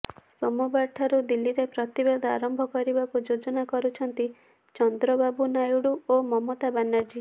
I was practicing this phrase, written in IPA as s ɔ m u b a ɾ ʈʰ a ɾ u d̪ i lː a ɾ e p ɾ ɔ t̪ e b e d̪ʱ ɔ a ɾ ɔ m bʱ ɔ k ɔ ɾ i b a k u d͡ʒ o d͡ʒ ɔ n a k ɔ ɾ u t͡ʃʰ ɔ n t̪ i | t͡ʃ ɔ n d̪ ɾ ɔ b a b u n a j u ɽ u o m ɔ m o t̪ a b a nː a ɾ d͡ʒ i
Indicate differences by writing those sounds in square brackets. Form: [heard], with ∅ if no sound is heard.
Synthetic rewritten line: s ɔ m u b a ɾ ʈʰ a ɾ u d̪ i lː [i] ɾ e p ɾ ɔ t̪ [i] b e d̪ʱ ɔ a ɾ ɔ m bʱ ɔ k ɔ ɾ i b a k u d͡ʒ o d͡ʒ ɔ n a k ɔ ɾ u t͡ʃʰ ɔ n t̪ i | t͡ʃ ɔ n d̪ ɾ ɔ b a b u n a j u ɽ u o m ɔ m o t̪ a b a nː a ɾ d͡ʒ i